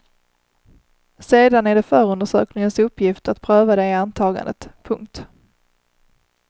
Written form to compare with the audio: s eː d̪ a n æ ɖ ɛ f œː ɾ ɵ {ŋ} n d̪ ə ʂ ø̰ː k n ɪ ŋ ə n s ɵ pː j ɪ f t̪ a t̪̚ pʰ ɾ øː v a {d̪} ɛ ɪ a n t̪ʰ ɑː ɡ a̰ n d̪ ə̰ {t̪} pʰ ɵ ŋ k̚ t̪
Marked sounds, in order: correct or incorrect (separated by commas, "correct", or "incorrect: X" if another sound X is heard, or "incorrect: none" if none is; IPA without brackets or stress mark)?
incorrect: none, correct, correct